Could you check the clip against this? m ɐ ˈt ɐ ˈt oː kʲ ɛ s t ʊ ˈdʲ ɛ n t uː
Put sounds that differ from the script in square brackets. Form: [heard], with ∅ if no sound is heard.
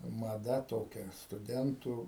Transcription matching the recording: m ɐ [ˈd] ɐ ˈt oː kʲ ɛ s t ʊ ˈdʲ ɛ n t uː